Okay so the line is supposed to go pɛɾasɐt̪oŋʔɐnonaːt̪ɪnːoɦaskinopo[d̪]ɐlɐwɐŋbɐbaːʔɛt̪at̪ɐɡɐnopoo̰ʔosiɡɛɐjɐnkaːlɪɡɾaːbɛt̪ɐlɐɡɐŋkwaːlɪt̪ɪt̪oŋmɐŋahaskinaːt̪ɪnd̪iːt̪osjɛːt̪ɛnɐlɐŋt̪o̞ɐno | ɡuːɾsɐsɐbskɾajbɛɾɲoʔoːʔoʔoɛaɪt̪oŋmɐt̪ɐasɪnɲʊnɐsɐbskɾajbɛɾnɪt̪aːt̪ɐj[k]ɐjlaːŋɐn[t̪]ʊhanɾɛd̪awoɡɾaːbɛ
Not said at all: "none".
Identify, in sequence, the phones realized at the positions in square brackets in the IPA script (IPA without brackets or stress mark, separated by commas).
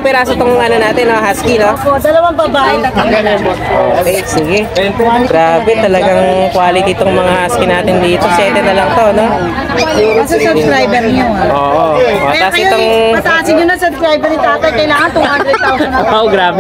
d̪, k, t̪